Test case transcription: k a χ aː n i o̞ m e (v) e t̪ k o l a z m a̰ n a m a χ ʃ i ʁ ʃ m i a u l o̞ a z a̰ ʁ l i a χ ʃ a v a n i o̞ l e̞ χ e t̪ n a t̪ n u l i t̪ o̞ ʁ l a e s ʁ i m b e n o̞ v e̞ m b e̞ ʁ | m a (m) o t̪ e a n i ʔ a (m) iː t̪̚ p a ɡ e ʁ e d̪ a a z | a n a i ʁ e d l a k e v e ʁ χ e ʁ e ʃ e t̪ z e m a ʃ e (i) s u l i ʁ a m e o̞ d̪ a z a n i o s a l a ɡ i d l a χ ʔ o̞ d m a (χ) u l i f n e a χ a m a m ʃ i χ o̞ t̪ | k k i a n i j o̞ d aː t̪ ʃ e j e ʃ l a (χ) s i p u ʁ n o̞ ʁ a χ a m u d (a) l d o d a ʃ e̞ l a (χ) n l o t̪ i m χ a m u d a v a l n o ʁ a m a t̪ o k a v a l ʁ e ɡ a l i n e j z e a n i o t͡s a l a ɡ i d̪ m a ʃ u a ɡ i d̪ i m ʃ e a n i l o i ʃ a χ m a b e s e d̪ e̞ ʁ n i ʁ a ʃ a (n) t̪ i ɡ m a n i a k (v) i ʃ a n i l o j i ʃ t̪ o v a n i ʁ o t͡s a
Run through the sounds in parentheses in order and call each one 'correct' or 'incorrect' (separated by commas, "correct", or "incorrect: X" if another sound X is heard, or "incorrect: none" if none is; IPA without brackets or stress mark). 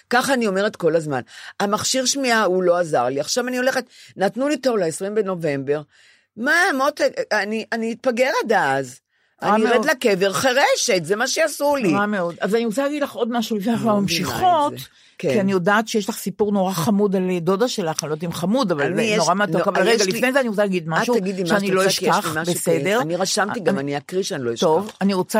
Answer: incorrect: ʁ, correct, incorrect: n, incorrect: a, incorrect: ʃ, correct, correct, correct, incorrect: m, incorrect: ʁ